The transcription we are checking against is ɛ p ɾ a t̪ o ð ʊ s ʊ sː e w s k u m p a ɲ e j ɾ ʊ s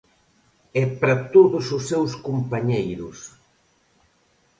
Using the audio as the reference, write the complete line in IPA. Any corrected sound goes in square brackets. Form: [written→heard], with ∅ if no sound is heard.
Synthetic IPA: ɛ p ɾ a t̪ o ð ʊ s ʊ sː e w s k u m p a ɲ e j ɾ ʊ s